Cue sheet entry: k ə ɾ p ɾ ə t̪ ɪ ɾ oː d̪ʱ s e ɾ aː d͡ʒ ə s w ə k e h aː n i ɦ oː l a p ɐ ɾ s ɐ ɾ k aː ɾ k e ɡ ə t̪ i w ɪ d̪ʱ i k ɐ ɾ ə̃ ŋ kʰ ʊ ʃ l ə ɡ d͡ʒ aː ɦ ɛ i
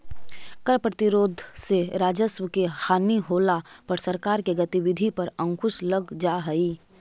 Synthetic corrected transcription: k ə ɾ p ɾ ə t̪ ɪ ɾ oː d̪ʱ s e ɾ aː d͡ʒ ə s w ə k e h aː n i ɦ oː l a p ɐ ɾ s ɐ ɾ k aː ɾ k e ɡ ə t̪ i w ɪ d̪ʱ i p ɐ ɾ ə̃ ŋ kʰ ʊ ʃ l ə ɡ d͡ʒ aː ɦ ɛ i